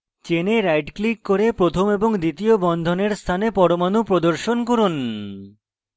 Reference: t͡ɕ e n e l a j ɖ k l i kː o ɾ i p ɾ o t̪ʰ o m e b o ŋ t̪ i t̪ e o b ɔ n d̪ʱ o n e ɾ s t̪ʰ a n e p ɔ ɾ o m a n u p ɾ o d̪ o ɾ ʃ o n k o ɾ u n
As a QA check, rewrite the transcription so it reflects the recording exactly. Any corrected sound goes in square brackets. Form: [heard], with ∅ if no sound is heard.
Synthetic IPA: t͡ɕ e n e [ɾ] a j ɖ k l i kː o ɾ [e] p ɾ o t̪ʰ o m e b o ŋ [d̪] i t̪ [i] o b ɔ n d̪ʱ o n e ɾ s t̪ʰ a n e p ɔ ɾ o m a n u p ɾ o d̪ o ɾ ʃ o n k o ɾ u n